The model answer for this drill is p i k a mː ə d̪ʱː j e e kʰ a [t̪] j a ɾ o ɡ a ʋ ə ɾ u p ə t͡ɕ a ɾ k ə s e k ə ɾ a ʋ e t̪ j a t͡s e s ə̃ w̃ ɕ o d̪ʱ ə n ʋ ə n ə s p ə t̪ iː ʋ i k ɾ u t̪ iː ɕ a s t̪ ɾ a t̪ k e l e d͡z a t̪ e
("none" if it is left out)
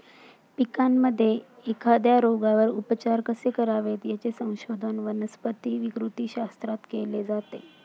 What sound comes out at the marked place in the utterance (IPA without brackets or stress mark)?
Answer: d̪